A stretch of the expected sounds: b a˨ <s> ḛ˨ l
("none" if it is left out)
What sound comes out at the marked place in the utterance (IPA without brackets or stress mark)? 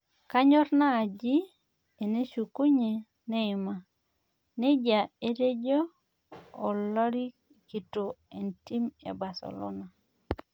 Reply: s